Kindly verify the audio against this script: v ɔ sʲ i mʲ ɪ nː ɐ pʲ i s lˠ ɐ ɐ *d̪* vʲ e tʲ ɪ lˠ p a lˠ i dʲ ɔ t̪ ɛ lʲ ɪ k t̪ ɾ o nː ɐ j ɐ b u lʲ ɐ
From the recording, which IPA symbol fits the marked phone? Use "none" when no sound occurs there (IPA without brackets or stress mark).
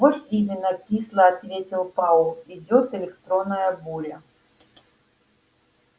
t̪